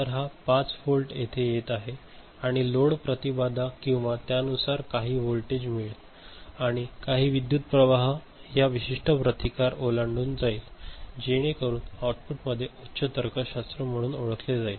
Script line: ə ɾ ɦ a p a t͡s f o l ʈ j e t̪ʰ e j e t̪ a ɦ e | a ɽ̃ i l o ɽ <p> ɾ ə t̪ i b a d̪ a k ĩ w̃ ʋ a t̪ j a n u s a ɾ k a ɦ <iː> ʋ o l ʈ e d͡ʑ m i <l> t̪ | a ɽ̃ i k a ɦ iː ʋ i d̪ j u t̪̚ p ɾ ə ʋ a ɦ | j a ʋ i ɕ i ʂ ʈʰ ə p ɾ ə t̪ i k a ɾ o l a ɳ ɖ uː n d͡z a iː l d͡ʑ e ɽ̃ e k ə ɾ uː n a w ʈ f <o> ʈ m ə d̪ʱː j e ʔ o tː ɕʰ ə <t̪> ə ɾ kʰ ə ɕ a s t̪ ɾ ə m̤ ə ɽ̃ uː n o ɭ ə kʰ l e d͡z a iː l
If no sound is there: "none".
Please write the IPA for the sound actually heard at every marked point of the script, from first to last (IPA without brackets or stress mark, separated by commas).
p, iː, ɭ, u, t̪